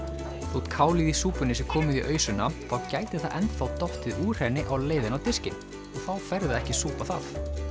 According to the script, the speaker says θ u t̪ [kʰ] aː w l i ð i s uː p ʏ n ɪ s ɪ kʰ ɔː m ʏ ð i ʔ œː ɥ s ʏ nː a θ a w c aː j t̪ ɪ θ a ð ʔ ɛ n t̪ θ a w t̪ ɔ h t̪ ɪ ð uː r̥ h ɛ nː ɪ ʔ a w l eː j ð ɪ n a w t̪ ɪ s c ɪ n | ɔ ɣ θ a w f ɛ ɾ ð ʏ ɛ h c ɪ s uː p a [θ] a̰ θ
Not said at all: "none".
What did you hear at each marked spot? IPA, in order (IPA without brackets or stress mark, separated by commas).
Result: kʰ, θ